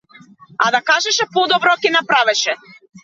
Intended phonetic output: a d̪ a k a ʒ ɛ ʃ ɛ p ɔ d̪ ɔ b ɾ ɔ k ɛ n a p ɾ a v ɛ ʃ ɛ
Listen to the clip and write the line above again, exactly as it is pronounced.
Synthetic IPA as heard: a d̪ a k a ʒ ɛ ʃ ɛ p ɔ d̪ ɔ b ɾ ɔ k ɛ n a p ɾ a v ɛ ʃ ɛ